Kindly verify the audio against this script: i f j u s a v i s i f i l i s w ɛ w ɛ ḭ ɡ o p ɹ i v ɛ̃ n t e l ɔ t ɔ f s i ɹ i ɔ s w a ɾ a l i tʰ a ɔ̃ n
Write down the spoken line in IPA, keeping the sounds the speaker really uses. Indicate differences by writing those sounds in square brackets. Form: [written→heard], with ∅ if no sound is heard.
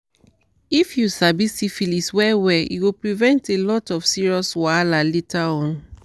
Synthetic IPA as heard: i f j u s a [v→b] i s i f i l i s w ɛ w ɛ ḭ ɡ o p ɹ i v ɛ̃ n t e l ɔ t ɔ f s i ɹ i ɔ s w a [ɾ→l] a l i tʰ a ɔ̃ n